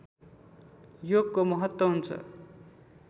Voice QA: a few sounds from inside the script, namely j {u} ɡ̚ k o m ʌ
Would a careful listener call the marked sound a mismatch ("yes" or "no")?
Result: yes